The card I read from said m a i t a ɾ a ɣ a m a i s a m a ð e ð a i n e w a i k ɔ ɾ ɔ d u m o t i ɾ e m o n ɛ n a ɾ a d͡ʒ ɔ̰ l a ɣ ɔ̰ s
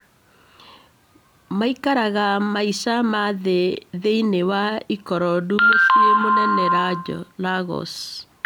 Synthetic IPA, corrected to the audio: m a i k a ɾ a ɣ a m a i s a m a ð e ð e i n e w a i k ɔ ɾ ɔ d u m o s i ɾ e m o n ɛ n ɛ ɾ a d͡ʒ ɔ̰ l a ɣ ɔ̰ s